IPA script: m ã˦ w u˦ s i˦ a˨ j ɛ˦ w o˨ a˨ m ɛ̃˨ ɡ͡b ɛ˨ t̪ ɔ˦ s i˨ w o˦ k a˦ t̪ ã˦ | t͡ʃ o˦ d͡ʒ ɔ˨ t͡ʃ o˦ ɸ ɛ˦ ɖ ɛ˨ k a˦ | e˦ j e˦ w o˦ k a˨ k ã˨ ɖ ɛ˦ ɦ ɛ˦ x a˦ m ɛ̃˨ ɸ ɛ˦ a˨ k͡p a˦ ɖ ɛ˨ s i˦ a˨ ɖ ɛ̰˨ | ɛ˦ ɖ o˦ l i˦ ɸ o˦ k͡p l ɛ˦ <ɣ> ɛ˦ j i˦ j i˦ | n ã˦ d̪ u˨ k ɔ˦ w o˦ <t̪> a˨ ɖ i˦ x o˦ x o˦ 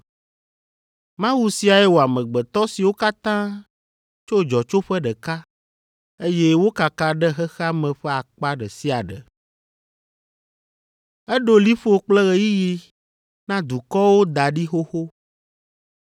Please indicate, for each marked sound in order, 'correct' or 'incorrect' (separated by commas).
correct, incorrect